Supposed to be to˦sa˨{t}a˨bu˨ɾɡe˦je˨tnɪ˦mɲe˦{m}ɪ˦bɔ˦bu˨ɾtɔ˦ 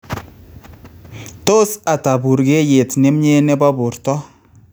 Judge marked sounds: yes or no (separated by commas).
yes, no